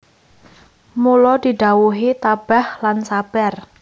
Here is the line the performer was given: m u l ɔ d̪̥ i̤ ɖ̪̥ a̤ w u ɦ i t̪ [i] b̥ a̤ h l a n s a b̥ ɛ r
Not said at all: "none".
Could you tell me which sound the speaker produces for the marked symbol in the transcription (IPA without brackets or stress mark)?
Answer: a